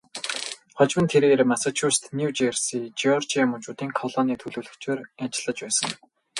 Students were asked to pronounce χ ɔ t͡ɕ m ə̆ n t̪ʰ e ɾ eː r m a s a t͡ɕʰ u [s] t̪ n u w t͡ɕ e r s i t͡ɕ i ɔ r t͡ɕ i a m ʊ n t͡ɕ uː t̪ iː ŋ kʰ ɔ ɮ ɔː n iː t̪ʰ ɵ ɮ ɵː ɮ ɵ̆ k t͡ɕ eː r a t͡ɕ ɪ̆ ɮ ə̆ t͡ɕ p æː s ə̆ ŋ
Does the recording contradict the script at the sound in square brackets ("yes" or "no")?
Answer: no